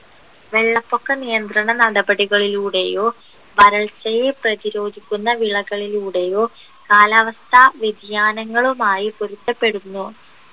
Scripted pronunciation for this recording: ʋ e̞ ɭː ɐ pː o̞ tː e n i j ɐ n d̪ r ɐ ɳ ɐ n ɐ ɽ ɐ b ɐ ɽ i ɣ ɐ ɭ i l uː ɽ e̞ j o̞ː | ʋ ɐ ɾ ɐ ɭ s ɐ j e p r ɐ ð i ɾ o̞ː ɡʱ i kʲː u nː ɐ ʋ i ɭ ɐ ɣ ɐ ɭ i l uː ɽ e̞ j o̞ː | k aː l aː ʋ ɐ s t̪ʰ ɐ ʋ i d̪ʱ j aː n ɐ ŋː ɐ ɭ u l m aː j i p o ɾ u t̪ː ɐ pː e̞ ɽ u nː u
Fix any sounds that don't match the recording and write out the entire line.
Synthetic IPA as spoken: ʋ e̞ ɭː ɐ pː o̞ kː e n i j ɐ n d̪ r ɐ ɳ ɐ n ɐ ɽ ɐ b ɐ ɽ i ɣ ɐ ɭ i l uː ɽ e̞ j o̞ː | ʋ ɐ ɾ ɐ ɭ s ɐ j e p r ɐ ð i ɾ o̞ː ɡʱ i kʲː u nː ɐ ʋ i ɭ ɐ ɣ ɐ ɭ i l uː ɽ e̞ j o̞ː | k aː l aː ʋ ɐ s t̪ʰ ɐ ʋ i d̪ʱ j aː n ɐ ŋː ɐ ɭ u m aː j i p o ɾ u t̪ː ɐ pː e̞ ɽ u nː u

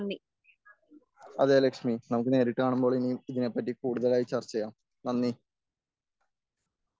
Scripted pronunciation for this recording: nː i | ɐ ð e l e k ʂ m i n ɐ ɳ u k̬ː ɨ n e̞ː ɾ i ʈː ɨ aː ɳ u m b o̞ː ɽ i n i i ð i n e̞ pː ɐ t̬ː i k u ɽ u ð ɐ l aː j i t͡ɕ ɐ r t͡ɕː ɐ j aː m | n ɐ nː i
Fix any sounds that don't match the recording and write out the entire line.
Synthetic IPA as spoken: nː i | ɐ ð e l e k ʂ m i n ɐ m u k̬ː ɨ n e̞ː ɾ i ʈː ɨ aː ɳ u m b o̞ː ɭ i n i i ð i n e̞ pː ɐ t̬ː i k uː ɽ u ð ɐ l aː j i t͡ɕ ɐ r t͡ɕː ɐ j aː m | n ɐ nː i

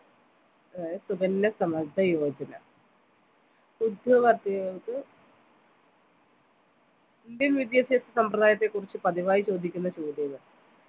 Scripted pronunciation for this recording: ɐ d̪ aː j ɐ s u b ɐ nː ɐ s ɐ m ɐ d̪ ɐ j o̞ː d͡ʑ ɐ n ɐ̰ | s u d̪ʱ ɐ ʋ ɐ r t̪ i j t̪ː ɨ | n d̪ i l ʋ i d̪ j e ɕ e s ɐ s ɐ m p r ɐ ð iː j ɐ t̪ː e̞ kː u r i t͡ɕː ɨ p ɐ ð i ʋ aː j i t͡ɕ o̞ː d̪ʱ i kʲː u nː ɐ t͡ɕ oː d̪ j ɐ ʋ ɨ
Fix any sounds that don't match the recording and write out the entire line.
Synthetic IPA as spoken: ɐ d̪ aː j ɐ s u b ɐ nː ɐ s ɐ m ɐ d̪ ɐ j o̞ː d͡ʑ ɐ n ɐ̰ | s u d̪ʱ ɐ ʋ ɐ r t̪ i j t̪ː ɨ | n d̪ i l ʋ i d̪ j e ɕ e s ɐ s ɐ m p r ɐ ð aː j ɐ t̪ː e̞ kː u r i t͡ɕː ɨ p ɐ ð i ʋ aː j i t͡ɕ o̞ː d̪ʱ i kʲː u nː ɐ t͡ɕ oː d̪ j ɐ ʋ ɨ

